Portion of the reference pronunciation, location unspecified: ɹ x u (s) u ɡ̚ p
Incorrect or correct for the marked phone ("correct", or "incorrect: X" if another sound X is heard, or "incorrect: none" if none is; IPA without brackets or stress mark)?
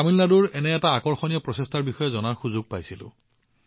incorrect: z